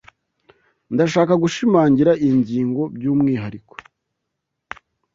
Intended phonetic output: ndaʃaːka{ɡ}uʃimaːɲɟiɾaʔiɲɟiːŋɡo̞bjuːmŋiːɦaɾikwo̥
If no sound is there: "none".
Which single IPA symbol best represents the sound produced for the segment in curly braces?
ɡ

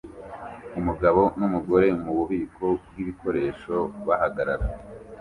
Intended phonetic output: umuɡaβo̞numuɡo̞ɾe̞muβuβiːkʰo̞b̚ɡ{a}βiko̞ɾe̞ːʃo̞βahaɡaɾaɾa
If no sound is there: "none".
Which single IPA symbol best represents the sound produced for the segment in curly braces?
i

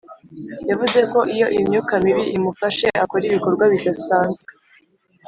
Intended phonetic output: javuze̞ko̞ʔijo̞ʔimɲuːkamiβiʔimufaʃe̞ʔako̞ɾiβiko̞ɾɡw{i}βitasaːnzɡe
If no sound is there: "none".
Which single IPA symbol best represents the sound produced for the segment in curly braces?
a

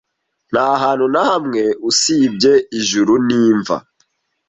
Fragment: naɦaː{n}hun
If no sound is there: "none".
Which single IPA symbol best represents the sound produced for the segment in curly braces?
n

